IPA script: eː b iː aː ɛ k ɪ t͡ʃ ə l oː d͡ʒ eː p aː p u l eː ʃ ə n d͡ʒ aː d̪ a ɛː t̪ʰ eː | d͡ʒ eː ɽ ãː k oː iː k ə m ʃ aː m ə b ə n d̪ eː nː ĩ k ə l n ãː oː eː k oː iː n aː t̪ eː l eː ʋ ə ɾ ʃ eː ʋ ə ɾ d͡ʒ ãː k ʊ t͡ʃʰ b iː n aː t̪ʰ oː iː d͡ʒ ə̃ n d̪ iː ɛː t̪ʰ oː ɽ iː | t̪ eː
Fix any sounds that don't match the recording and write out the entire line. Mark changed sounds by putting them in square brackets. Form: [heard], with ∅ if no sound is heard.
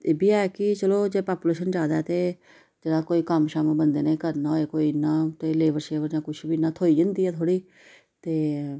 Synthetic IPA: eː b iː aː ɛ k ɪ t͡ʃ ə l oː d͡ʒ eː p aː p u l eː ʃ ə n d͡ʒ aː d̪ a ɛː [t̪] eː | d͡ʒ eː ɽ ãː k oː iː k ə m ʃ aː m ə b ə n d̪ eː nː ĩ k ə [ɾ] n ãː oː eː k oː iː n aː t̪ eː l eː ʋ ə ɾ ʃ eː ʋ ə ɾ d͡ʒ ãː k ʊ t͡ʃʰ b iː n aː t̪ʰ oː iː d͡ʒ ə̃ n d̪ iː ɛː t̪ʰ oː ɽ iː | t̪ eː